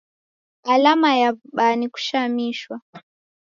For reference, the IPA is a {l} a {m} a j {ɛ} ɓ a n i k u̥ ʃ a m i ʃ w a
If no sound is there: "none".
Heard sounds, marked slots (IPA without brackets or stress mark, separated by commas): l, m, a